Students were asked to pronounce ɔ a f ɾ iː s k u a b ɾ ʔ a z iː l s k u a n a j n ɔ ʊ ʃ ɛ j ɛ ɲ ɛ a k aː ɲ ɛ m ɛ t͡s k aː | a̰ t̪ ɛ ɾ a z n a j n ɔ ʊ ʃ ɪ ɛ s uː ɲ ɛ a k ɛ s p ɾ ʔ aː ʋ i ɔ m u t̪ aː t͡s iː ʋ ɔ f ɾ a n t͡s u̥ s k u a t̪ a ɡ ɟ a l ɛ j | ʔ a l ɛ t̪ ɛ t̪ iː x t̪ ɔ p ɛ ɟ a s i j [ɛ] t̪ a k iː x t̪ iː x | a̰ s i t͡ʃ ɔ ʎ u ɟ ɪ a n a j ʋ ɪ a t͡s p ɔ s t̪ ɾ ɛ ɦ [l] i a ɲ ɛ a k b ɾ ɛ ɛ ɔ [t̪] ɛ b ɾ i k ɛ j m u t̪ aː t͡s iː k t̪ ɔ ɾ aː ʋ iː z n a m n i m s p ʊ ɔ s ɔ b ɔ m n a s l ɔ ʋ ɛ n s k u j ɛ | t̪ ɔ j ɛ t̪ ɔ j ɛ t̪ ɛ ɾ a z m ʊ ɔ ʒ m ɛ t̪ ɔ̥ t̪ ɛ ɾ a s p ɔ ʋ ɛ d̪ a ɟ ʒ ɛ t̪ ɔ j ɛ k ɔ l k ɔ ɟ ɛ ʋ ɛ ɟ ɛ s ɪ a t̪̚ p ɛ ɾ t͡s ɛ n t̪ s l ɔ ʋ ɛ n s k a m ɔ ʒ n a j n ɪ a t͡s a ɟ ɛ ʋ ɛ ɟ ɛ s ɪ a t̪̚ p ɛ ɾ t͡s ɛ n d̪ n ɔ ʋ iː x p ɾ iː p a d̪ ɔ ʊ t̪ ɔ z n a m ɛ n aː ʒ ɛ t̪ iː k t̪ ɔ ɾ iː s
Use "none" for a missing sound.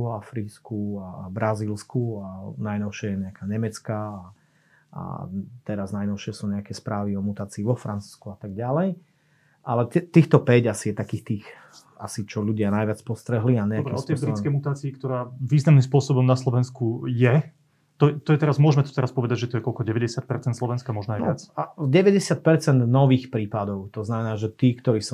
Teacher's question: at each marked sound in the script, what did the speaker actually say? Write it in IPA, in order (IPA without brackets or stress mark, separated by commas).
ɛ, l, t̪